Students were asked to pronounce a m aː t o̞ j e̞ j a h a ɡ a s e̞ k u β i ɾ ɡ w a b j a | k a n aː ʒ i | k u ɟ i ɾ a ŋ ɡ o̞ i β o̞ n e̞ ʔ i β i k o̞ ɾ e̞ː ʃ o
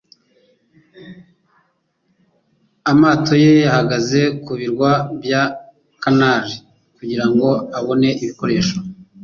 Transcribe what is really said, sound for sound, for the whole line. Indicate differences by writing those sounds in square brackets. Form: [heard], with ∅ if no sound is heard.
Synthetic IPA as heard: a m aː t o̞ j e̞ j a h a ɡ a [z] e̞ k u β i ɾ ɡ w a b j a | k a n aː ʒ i | k u ɟ i ɾ a ŋ ɡ o̞ [a] β o̞ n e̞ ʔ i β i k o̞ ɾ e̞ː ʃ o